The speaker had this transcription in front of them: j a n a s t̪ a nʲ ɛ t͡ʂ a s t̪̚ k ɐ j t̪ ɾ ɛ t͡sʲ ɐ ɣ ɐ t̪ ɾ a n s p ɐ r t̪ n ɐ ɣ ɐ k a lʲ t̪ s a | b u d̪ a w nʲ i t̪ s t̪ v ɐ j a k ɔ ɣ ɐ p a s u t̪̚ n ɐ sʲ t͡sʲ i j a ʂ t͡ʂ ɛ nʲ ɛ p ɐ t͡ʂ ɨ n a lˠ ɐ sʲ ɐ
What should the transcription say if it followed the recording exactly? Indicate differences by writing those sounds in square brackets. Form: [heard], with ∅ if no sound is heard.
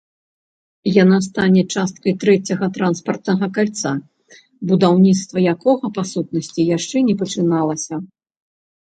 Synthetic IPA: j a n a s t̪ a nʲ ɛ t͡ʂ a s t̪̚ k ɐ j t̪ ɾ ɛ t͡sʲ ɐ ɣ ɐ t̪ ɾ a n s p ɐ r t̪ n ɐ ɣ ɐ k a lʲ t̪ s a | b u d̪ a w nʲ i t̪ s t̪ v ɐ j a k ɔ ɣ ɐ p a s u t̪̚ n ɐ sʲ t͡sʲ i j a ʂ t͡ʂ ɛ nʲ ɛ p ɐ t͡ʂ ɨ n a lˠ ɐ sʲ ɐ